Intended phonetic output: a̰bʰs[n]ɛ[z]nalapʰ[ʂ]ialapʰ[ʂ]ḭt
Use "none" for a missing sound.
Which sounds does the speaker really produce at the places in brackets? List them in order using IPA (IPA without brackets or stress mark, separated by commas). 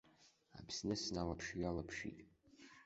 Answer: n, s, ʃ, ʃ